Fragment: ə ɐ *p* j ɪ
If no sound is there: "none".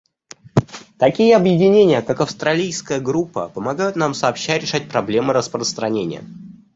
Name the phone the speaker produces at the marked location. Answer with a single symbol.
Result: b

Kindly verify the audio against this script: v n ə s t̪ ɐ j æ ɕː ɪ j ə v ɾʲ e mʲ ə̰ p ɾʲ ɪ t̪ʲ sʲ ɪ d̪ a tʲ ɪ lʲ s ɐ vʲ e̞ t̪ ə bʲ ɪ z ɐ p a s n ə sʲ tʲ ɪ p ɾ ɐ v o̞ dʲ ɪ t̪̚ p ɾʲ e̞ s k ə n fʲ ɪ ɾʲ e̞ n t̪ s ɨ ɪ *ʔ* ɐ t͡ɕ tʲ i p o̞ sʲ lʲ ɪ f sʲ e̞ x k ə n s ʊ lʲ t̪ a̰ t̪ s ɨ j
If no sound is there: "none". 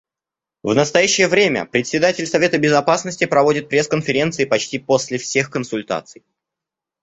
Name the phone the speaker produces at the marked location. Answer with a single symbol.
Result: p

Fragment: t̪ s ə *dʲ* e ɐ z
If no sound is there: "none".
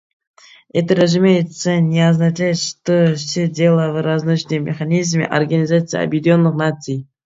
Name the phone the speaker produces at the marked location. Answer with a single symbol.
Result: nʲ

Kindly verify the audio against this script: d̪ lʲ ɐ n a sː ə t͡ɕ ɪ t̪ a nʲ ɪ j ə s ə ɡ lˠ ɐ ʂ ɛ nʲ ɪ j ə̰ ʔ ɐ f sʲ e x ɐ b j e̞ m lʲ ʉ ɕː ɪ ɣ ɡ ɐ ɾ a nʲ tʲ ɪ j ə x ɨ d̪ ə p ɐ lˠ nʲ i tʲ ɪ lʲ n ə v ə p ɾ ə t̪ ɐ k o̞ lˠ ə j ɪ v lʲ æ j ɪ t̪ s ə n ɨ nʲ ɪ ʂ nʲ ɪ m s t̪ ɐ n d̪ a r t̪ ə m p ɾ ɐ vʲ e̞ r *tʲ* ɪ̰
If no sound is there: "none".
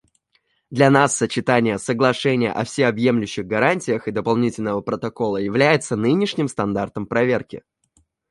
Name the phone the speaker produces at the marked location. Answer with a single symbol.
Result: kʲ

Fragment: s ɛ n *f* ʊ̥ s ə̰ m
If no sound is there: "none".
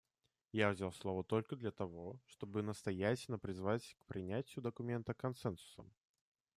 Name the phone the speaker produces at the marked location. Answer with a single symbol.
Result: s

